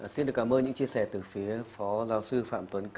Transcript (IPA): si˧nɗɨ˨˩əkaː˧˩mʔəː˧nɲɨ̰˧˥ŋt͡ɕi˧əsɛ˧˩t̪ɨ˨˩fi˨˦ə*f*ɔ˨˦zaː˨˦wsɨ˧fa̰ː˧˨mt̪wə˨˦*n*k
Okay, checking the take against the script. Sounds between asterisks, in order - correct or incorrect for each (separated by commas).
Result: correct, correct